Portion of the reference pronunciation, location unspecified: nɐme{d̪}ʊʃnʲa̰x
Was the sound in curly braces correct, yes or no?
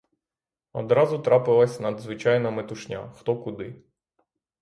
no